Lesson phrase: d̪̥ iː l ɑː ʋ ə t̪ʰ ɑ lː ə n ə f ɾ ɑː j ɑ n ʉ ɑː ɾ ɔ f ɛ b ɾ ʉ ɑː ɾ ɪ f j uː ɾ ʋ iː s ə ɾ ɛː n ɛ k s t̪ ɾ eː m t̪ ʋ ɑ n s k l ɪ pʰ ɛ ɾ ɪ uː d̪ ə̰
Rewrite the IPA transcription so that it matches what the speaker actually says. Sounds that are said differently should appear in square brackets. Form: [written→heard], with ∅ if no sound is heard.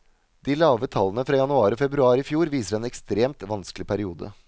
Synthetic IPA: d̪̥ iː l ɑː ʋ ə t̪ʰ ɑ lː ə n ə f ɾ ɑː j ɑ n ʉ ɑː ɾ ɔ f ɛ b ɾ ʉ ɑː ɾ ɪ f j uː ɾ ʋ iː s ə ɾ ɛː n ɛ k s t̪ ɾ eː m t̪ ʋ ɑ n s k l ɪ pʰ [ɛ→æ] ɾ ɪ uː d̪ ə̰